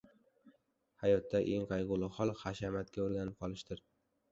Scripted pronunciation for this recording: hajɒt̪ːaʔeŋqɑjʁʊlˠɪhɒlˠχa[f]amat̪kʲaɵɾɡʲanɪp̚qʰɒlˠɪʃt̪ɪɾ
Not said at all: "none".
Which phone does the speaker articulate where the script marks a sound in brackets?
ʃ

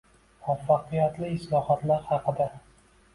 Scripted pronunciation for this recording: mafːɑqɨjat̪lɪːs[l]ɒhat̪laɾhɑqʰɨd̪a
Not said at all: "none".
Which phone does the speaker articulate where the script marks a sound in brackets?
l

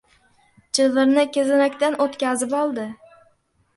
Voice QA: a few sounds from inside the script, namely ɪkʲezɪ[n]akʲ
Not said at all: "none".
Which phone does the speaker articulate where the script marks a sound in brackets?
n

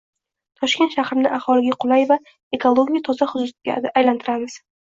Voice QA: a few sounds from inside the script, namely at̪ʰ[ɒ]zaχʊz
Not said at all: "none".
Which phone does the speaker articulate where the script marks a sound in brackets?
ɒ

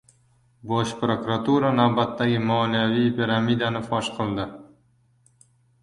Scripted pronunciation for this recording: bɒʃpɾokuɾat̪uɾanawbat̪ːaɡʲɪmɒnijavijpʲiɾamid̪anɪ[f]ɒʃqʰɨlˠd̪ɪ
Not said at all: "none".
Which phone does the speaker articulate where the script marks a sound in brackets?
f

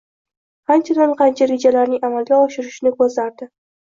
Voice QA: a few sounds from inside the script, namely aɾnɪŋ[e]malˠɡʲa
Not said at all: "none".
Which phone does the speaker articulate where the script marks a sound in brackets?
a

